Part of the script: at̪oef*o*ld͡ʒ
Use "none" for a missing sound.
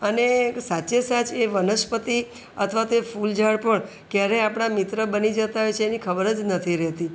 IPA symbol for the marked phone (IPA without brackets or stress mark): u